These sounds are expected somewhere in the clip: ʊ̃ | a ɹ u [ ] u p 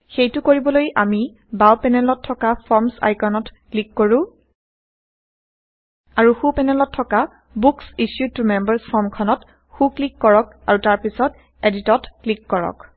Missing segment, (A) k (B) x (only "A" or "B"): B